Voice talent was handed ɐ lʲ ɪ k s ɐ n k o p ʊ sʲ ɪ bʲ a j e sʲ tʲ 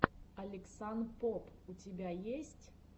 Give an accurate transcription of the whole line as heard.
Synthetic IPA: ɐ lʲ ɪ k s a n p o p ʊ tʲ ɪ bʲ a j e sʲ tʲ